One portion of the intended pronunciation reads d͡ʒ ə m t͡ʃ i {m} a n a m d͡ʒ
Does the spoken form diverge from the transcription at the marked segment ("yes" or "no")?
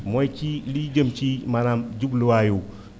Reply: no